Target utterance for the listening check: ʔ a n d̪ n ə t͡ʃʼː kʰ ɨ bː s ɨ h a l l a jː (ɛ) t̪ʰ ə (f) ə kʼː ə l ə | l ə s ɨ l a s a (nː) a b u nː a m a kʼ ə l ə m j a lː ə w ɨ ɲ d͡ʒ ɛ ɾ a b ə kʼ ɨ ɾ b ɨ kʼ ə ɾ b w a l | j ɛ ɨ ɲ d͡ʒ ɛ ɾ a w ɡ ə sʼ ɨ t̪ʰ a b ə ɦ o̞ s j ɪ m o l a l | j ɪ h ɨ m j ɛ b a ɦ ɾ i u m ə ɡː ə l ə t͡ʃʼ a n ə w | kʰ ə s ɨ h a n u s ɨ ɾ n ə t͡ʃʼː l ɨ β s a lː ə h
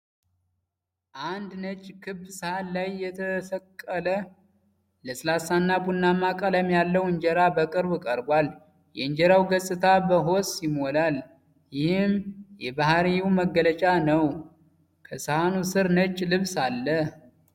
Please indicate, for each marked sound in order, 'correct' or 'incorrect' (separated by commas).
correct, correct, correct